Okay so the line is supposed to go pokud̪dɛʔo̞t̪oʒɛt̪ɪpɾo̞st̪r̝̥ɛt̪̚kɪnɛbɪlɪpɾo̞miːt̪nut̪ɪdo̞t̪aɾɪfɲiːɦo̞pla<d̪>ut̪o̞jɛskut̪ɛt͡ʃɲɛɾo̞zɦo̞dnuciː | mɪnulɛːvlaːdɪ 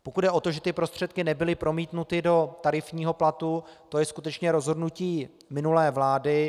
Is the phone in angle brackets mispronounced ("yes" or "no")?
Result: yes